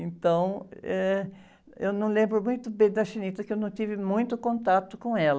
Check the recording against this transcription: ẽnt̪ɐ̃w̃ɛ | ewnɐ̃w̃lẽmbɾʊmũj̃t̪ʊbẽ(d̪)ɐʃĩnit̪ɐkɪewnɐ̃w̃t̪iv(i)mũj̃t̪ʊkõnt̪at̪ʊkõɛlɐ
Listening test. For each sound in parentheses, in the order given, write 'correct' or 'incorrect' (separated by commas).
correct, incorrect